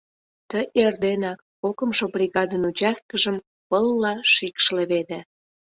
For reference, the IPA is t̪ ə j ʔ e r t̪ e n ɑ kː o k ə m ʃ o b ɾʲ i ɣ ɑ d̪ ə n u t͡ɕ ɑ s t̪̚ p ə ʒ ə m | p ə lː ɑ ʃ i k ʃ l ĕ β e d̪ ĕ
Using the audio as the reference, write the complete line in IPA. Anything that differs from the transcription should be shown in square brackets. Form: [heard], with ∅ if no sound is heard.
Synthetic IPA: t̪ ə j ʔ e r [d̪] e n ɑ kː o k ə m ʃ o b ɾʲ i ɣ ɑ d̪ ə n u t͡ɕ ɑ s t̪̚ [k] ə ʒ ə m | p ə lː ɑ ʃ i k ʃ l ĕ β e d̪ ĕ